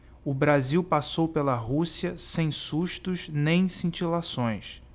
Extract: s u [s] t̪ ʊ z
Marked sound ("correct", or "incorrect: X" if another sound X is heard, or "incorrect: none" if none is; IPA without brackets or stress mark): incorrect: ʃ